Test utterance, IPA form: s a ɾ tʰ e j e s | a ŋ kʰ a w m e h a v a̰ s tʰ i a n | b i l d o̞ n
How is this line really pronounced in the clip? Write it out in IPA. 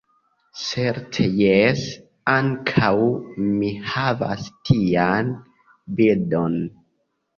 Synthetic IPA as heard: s e ɾ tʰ e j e s | a ŋ kʰ a w m i h a v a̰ s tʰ i a n | b i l d o̞ n

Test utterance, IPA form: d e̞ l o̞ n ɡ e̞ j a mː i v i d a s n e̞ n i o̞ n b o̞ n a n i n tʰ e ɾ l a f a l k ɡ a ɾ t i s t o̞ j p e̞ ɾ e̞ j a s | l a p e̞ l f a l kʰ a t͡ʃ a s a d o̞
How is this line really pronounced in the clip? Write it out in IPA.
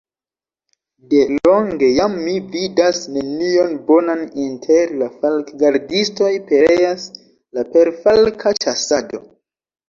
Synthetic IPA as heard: d e̞ l o̞ ŋ ɡ e̞ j a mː i v i d a s n e̞ n i o̞ n b o̞ n a n i n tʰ e ɾ l a f a l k ɡ a ɾ d i s t o̞ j p e̞ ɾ e̞ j a s | l a p e̞ ɾ f a l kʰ a t͡ʃ a s a d o̞

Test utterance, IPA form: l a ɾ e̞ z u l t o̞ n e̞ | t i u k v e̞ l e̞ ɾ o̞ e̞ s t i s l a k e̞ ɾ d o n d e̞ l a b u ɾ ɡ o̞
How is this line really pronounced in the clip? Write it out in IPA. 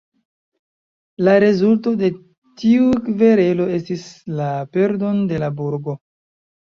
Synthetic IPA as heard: l a ɾ e̞ z u l t o̞ d e̞ | t i u k v e̞ ɾ e̞ l o̞ e̞ s t i s l a p e̞ ɾ d o n d e̞ l a b u ɾ ɡ o̞

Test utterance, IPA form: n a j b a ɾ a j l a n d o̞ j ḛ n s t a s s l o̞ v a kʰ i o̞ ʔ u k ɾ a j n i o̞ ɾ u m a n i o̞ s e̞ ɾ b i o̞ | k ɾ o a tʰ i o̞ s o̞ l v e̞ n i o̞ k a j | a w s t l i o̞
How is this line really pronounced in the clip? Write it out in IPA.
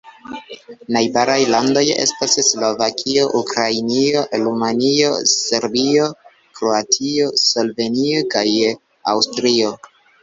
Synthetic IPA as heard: n a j b a ɾ a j l a n d o̞ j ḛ s t a s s l o̞ v a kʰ i o̞ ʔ u k ɾ a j n i o̞ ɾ u m a n i o̞ s e̞ ɾ b i o̞ | k ɾ o a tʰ i o̞ s o̞ l v e̞ n i o̞ k a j | a w s t ɾ i o̞

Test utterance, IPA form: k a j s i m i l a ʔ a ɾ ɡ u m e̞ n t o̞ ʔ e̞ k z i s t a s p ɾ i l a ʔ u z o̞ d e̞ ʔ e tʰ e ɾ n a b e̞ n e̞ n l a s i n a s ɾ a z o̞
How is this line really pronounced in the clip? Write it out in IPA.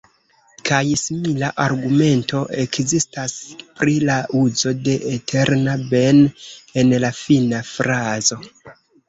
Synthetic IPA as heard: k a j s i m i l a ʔ a ɾ ɡ u m e̞ n t o̞ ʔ e̞ k z i s t a s p ɾ i l a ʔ u z o̞ d e̞ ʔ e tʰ e ɾ n a b e̞ n e̞ n l a f i n a f ɾ a z o̞

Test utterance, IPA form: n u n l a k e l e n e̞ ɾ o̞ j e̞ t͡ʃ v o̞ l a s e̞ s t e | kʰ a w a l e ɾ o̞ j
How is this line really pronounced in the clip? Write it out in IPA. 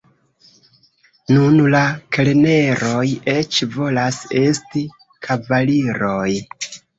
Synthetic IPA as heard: n u n l a k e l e n e̞ ɾ o̞ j e̞ t͡ʃ v o̞ l a s e̞ s t i | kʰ a v a l i ɾ o̞ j

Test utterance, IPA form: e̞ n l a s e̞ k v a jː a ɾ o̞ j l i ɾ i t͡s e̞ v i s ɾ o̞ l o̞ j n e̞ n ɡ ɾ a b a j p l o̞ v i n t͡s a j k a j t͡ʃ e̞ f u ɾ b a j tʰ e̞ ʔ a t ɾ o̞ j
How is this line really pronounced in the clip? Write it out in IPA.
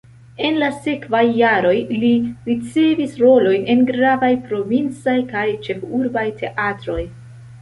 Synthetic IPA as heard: e̞ n l a s e̞ k v a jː a ɾ o̞ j l i ɾ i t͡s e̞ v i s ɾ o̞ l o̞ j n e̞ n ɡ ɾ a v a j p ɾ o̞ v i n t͡s a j k a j t͡ʃ e̞ f u ɾ b a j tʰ e̞ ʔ a t ɾ o̞ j

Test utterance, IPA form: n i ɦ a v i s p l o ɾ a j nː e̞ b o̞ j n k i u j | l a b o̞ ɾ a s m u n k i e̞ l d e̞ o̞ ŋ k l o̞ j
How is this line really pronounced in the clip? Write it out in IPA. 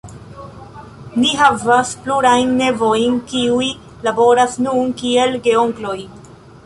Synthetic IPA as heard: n i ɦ a v a s p l u ɾ a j nː e̞ v o̞ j n k i u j | l a b o̞ ɾ a s n u n k i e̞ l ɡ e̞ o̞ ŋ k l o̞ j

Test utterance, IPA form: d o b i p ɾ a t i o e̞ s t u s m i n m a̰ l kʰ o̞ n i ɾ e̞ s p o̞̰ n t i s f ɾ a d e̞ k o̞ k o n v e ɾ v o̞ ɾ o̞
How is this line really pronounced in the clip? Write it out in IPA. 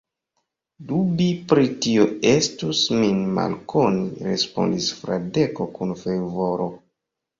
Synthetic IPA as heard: d u b i p ɾ i t i o e̞ s t u s m i n m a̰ l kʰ o̞ n i ɾ e̞ s p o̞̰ n d i s f ɾ a d e̞ k o̞ k u n f e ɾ v o̞ ɾ o̞

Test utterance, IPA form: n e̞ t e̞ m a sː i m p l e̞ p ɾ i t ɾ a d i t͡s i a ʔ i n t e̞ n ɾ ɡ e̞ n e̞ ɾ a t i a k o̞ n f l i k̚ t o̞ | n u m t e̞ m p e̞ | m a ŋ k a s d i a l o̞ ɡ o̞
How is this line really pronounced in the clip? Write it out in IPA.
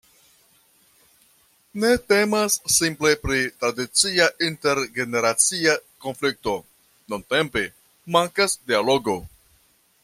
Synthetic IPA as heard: n e̞ t e̞ m a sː i m p l e̞ p ɾ i t ɾ a d i t͡s i a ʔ i n t e̞ ɾ ɡ e̞ n e̞ ɾ a t͡s i a k o̞ n f l i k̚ t o̞ | n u n t e̞ m p e̞ | m a ŋ k a s d i a l o̞ ɡ o̞

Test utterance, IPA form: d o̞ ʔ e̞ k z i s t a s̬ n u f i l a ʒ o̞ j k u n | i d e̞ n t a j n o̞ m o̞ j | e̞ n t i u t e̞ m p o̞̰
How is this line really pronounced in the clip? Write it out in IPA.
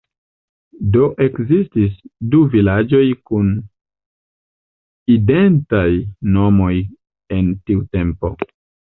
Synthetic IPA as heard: d o̞ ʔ e̞ k z i s t i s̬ d u v i l a d͡ʒ o̞ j k u n | i d e̞ n t a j n o̞ m o̞ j | e̞ n t i u t e̞ m p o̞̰

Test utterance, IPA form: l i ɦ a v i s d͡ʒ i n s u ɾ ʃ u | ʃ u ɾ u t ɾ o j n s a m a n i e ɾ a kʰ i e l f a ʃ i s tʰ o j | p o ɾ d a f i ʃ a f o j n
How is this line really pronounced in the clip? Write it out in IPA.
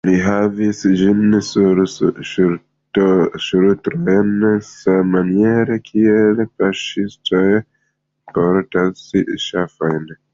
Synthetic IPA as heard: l i ɦ a v i s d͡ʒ i n s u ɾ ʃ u | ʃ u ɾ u t ɾ o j n s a m a n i e ɾ e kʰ i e l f a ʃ i s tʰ o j | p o ɾ t a s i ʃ a f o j n

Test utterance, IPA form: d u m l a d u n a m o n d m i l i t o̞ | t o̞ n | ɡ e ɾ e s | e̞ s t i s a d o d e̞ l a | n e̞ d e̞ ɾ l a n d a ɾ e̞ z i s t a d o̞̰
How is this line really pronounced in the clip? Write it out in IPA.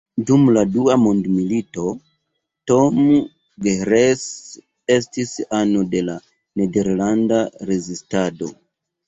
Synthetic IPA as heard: d u m l a d u a m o n d m i l i t o̞ | t o̞ m | ɡ e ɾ e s | e̞ s t i s a n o d e̞ l a | n e̞ d e̞ ɾ l a n d a ɾ e̞ z i s t a d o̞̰

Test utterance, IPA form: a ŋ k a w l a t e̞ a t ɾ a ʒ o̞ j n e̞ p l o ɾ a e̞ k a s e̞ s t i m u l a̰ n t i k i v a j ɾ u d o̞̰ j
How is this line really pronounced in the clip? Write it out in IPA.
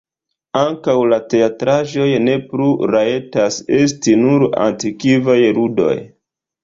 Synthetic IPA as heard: a ŋ k a w l a t e̞ a t ɾ a ʒ o̞ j n e̞ p l u ɾ a e̞ t a s e̞ s t i n u ɾ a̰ n t i k i v a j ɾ u d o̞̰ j

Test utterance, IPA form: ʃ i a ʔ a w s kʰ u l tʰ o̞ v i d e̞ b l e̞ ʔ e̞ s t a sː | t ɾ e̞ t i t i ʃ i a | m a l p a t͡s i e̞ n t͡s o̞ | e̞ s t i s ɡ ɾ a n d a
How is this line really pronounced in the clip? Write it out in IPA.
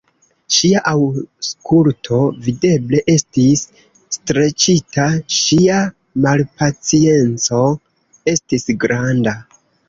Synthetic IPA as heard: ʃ i a ʔ a w s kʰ u l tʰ o̞ v i d e̞ b l e̞ ʔ e̞ s t i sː | t ɾ e̞ t͡ʃ i t a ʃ i a | m a l p a t͡s i e̞ n t͡s o̞ | e̞ s t i s ɡ ɾ a n d a

